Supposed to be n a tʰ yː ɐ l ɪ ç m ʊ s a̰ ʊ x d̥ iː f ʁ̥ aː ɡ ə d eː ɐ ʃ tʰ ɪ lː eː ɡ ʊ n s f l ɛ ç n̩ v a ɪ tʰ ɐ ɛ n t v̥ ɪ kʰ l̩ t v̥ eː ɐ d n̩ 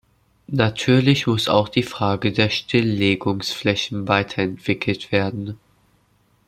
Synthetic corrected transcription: n a tʰ yː ɐ l ɪ ç m ʊ s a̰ ʊ x d̥ iː f ʁ̥ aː ɡ ə d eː ɐ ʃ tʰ ɪ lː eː ɡ ʊ ŋ s f l ɛ ç n̩ v a ɪ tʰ ɐ ɛ n t v̥ ɪ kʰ l̩ t v̥ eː ɐ d n̩